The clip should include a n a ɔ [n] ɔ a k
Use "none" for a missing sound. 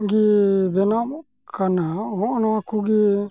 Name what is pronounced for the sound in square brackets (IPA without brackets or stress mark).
n